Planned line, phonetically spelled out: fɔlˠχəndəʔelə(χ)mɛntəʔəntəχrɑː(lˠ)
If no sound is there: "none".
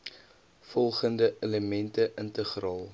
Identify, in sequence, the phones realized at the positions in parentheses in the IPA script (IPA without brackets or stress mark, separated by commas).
none, lˠ